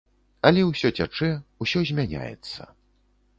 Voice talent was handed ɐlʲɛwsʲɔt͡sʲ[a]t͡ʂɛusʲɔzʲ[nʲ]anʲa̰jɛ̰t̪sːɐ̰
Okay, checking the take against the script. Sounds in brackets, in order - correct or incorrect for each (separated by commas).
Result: correct, incorrect